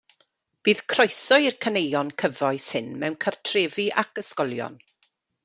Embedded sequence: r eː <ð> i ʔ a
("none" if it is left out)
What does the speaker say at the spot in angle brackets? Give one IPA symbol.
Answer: v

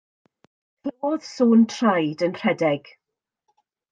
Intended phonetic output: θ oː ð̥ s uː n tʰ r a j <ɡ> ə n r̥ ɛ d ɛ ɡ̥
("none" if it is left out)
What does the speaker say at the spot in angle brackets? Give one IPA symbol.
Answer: d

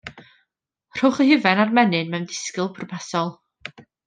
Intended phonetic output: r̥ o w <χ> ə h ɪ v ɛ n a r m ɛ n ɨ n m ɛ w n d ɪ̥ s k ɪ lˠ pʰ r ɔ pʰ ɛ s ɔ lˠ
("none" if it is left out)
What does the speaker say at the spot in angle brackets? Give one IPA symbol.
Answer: χ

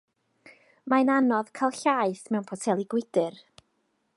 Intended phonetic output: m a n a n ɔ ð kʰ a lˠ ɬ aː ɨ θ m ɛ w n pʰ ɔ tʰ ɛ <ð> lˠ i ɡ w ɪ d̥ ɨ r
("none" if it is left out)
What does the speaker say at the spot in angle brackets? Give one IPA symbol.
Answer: none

